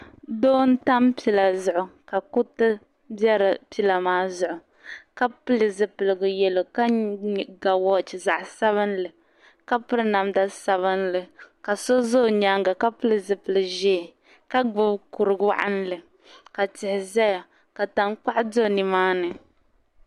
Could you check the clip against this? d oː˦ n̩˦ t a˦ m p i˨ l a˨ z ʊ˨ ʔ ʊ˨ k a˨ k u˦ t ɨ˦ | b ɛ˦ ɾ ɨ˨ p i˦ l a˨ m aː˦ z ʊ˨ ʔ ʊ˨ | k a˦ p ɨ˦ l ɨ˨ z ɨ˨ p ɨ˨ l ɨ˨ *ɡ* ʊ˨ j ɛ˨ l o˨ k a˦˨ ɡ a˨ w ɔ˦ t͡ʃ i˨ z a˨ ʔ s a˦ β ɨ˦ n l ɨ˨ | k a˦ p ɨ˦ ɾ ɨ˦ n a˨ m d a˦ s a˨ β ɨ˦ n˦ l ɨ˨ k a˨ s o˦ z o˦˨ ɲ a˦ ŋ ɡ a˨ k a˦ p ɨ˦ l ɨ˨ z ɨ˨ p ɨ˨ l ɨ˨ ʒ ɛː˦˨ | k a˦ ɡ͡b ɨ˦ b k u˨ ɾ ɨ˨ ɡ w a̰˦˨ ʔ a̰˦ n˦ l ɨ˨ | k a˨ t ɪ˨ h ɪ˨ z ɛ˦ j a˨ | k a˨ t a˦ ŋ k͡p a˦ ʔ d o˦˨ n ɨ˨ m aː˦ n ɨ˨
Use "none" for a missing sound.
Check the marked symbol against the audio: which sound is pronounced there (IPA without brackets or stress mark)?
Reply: ɡ